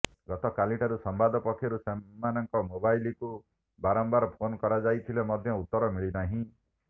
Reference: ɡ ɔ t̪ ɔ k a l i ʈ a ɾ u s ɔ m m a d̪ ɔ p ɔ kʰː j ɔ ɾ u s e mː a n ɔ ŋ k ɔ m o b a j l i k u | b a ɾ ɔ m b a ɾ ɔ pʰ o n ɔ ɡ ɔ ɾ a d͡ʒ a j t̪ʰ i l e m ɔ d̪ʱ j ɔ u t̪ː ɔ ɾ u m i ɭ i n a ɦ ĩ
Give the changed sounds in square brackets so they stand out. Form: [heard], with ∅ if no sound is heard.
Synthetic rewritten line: ɡ ɔ t̪ ɔ k a l i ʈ a ɾ u s ɔ m [b] a d̪ ɔ p ɔ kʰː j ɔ ɾ u s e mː a n ɔ ŋ k ɔ m o b a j l i k u | b a ɾ ɔ m b a ɾ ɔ pʰ o n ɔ [k] ɔ ɾ a d͡ʒ a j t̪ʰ i l e m ɔ d̪ʱ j ɔ u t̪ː ɔ ɾ [ɔ] m i ɭ i n a ɦ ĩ

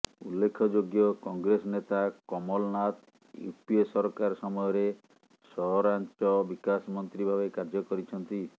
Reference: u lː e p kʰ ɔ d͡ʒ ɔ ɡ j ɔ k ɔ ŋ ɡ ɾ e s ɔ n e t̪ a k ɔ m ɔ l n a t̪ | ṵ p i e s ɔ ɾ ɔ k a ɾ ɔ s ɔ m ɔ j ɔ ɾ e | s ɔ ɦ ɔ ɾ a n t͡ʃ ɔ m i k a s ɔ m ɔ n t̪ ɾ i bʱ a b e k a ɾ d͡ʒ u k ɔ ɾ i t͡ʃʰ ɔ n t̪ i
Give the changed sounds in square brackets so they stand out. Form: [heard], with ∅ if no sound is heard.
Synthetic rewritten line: u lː e [∅] kʰ ɔ d͡ʒ [o] ɡ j ɔ k ɔ ŋ ɡ ɾ e s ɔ n e t̪ a k ɔ m ɔ l n a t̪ | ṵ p i e s ɔ ɾ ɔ k a ɾ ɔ s ɔ m ɔ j ɔ ɾ e | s ɔ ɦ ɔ ɾ a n t͡ʃ ɔ [b] i k a s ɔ m ɔ n t̪ ɾ i bʱ a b e k a ɾ d͡ʒ [ɔ] k ɔ ɾ i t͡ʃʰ ɔ n t̪ i

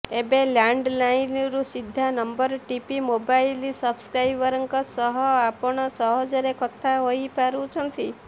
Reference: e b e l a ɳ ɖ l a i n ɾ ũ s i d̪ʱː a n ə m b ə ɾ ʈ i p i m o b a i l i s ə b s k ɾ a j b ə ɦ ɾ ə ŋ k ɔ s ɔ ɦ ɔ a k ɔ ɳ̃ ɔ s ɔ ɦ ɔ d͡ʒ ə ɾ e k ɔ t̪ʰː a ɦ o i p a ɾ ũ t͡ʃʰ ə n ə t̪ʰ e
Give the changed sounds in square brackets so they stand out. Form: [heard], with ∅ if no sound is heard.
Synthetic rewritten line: e b e l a ɳ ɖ l a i n ɾ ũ s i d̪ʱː a n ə m b ə ɾ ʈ i p i m o b a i l i s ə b s k ɾ a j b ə [∅] ɾ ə ŋ k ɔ s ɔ ɦ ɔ a [p] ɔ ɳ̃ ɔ s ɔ ɦ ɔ d͡ʒ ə ɾ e k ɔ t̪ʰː a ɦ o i p a ɾ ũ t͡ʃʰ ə n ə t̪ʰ [i]

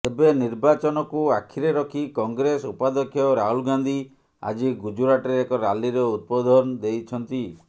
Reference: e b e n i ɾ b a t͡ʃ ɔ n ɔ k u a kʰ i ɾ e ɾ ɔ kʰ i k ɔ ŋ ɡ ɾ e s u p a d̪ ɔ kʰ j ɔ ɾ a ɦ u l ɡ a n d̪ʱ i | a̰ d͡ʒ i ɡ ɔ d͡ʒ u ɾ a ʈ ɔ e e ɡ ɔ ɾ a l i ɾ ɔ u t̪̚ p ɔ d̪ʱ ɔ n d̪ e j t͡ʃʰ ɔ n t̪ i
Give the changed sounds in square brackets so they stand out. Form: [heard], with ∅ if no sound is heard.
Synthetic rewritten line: e b e n i ɾ b a t͡ʃ ɔ n ɔ k u a kʰ i ɾ e ɾ ɔ kʰ i k ɔ ŋ ɡ ɾ e s u p a d̪ ɔ kʰ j ɔ ɾ a ɦ u l ɡ a n d̪ʱ i | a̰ d͡ʒ i ɡ [u] d͡ʒ u ɾ a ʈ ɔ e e [k] ɔ ɾ a l i ɾ ɔ u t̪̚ p ɔ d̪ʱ ɔ n d̪ e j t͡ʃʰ ɔ n t̪ i

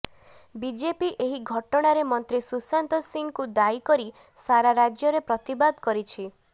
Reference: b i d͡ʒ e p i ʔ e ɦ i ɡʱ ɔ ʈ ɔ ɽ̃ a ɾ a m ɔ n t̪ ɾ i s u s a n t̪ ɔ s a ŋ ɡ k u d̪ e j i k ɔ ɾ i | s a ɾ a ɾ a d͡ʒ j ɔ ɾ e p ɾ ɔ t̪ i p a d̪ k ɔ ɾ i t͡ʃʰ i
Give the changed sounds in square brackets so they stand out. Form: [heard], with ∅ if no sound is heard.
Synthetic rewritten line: b i d͡ʒ e p i ʔ e ɦ i ɡʱ ɔ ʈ ɔ ɽ̃ a ɾ [e] m ɔ n t̪ ɾ i s u s a n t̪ ɔ s [i] ŋ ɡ k u d̪ [a] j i k ɔ ɾ i | s a ɾ a ɾ a d͡ʒ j ɔ ɾ e p ɾ ɔ t̪ i [b] a d̪ k ɔ ɾ i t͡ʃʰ i

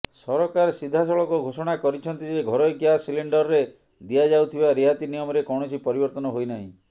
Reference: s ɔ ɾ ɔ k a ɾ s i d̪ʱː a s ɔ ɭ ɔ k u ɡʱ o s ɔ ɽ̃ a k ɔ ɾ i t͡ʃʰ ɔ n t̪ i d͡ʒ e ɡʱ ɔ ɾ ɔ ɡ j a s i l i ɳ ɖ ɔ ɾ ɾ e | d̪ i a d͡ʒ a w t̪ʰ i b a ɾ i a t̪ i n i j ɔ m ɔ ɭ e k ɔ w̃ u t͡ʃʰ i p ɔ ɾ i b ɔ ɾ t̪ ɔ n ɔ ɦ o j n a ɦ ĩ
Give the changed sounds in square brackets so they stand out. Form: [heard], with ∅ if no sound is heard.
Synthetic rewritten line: s ɔ ɾ ɔ k a ɾ s i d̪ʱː a s ɔ ɭ ɔ k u ɡʱ o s ɔ ɽ̃ a k ɔ ɾ i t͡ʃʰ ɔ n t̪ i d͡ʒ e ɡʱ ɔ ɾ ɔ ɡ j a s i l i ɳ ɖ ɔ ɾ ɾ e | d̪ i a d͡ʒ a w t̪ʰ i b a ɾ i a t̪ i n i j ɔ m ɔ [ɾ] e k ɔ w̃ [ɔ] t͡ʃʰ i p ɔ ɾ i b ɔ ɾ t̪ ɔ n ɔ ɦ o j n a ɦ ĩ

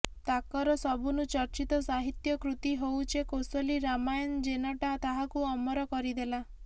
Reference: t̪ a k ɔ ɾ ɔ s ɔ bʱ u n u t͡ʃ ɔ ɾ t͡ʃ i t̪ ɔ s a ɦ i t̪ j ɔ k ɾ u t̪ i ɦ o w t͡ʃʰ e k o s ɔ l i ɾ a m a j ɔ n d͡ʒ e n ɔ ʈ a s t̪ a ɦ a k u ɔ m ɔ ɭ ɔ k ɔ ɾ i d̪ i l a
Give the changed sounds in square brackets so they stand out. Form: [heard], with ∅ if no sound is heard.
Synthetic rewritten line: t̪ a k ɔ ɾ ɔ s ɔ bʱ u n u t͡ʃ ɔ ɾ t͡ʃ i t̪ ɔ s a ɦ i t̪ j ɔ k ɾ u t̪ i ɦ o w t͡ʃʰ e k o s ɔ l i ɾ a m a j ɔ n d͡ʒ e n ɔ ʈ a [∅] t̪ a ɦ a k u ɔ m ɔ [ɾ] ɔ k ɔ ɾ i d̪ [e] l a

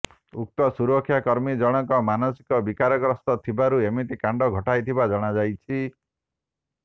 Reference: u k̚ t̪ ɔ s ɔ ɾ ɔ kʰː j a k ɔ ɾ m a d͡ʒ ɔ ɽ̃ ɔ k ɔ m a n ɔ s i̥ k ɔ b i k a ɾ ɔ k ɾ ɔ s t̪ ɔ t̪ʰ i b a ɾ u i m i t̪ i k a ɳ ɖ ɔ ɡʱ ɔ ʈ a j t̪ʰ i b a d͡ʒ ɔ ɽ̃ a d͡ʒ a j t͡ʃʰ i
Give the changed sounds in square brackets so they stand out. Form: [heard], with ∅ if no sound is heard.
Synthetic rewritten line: u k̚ t̪ ɔ s [u] ɾ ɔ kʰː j a k ɔ ɾ m [i] d͡ʒ ɔ ɽ̃ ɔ k ɔ m a n ɔ s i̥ k ɔ b i k a ɾ ɔ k ɾ ɔ s t̪ ɔ t̪ʰ i b a ɾ u [e] m i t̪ i k a ɳ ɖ ɔ ɡʱ ɔ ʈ a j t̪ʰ i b a d͡ʒ ɔ ɽ̃ a d͡ʒ a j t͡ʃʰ i

